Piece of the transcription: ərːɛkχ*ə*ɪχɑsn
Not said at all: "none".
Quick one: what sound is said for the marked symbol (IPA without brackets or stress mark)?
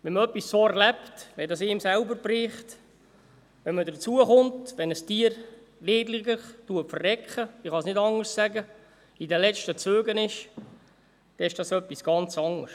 ə